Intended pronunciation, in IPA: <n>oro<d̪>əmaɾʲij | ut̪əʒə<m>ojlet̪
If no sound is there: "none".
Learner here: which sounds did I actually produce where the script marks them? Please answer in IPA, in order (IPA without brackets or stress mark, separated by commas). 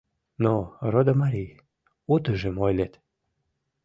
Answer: n, d̪, m